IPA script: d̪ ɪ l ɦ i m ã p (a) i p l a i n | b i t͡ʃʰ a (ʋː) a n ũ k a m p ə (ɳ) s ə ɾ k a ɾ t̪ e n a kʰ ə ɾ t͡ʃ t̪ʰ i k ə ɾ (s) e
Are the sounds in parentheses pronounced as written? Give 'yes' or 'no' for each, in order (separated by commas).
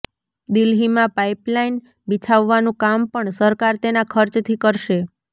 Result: yes, yes, yes, no